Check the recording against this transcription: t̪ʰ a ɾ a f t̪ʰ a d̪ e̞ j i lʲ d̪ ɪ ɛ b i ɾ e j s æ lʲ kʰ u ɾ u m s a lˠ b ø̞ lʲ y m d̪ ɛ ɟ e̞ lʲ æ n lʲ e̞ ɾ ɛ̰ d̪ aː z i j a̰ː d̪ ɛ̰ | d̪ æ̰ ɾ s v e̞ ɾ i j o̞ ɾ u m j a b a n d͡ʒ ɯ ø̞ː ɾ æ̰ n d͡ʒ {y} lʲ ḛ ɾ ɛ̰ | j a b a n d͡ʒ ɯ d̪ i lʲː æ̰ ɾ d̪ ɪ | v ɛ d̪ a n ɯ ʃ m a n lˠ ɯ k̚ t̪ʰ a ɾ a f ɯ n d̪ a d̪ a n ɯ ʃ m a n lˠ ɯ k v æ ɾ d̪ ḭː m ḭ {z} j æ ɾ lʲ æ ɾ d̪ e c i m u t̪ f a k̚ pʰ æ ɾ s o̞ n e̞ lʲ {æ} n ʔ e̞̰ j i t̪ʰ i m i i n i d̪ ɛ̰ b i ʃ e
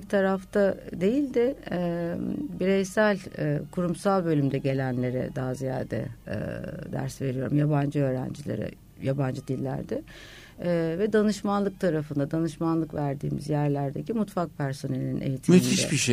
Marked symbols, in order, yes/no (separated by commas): no, yes, no